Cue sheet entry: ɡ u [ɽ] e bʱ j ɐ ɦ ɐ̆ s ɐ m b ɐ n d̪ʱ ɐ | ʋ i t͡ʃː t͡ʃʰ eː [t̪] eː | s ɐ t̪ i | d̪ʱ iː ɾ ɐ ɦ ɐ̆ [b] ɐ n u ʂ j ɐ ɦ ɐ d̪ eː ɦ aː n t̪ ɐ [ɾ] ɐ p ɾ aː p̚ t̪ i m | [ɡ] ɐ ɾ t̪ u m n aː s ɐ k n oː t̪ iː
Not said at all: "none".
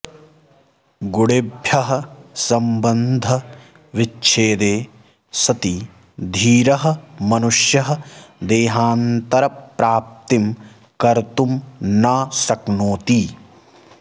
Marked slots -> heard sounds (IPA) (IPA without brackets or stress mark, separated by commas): ɽ, d̪, m, ɾ, k